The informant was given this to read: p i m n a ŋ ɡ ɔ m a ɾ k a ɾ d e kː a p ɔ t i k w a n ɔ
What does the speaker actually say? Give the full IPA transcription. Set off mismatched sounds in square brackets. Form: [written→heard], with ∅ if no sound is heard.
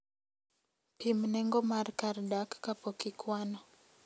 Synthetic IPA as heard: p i m n [a→ɛ] ŋ ɡ ɔ m a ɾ k a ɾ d [e→a] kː a p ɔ [t→k] i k w a n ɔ